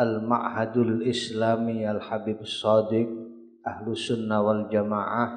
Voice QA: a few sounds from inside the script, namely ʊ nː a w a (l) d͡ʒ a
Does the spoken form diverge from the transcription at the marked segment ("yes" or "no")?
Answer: no